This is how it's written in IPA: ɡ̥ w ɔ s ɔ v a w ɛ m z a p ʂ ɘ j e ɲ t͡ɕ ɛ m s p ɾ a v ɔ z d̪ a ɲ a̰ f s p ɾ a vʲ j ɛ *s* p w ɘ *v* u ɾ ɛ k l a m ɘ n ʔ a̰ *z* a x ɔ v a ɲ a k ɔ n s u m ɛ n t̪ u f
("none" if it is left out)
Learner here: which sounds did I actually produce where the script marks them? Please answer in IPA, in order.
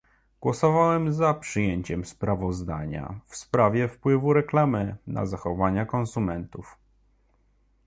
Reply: f, v, z

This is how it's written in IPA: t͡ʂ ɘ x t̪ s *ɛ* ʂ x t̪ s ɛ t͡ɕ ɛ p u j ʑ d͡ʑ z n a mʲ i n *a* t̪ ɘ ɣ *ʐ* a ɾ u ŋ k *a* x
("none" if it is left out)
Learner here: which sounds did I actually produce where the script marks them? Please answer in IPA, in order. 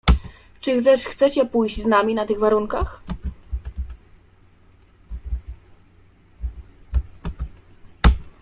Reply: ɛ, a, v, a

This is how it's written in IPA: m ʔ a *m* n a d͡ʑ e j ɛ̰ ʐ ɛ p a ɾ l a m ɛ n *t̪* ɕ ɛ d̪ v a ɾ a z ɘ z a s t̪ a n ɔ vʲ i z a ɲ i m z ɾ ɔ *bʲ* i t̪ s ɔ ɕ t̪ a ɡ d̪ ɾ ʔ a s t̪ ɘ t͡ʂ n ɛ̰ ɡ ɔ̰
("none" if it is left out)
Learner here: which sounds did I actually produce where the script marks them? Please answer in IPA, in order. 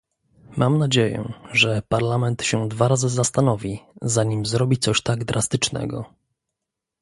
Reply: m, t̪, bʲ

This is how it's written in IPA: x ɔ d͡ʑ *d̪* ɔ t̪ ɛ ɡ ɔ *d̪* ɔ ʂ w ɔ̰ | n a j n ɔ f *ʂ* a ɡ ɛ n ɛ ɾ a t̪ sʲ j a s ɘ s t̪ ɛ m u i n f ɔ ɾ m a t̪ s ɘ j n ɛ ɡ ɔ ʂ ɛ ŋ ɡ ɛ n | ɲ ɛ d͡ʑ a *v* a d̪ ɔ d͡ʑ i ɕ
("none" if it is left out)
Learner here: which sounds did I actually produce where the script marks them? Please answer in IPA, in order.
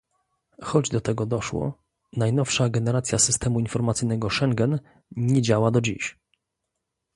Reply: d̪, d̪, ʂ, w

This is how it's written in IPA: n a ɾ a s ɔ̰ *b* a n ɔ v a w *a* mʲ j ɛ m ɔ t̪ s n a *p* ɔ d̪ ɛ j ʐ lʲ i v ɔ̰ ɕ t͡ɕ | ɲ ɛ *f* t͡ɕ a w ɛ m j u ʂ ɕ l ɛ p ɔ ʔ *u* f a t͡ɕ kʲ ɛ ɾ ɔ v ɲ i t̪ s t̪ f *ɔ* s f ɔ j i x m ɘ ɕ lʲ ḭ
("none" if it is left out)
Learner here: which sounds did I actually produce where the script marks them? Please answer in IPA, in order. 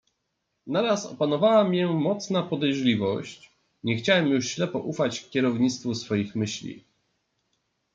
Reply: p, a, p, x, u, u

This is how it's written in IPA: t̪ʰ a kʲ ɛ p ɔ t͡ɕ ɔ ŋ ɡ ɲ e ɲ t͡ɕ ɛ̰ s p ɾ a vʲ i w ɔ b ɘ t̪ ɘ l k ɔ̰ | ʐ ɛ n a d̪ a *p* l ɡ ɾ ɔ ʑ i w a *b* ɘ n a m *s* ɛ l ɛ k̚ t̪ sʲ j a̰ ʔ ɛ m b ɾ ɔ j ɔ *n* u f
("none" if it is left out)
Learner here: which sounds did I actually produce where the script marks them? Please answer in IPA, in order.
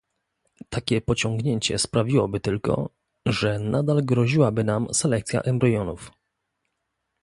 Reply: none, b, s, n

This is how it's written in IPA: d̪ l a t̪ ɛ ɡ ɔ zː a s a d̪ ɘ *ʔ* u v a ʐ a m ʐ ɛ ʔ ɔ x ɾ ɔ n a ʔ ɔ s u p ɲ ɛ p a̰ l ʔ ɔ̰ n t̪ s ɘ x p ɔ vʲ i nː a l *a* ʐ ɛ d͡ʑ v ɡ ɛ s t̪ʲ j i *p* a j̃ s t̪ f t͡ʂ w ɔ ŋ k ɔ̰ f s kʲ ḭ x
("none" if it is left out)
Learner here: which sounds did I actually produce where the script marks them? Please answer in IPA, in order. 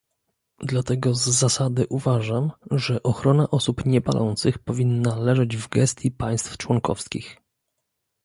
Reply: ʔ, ɛ, p

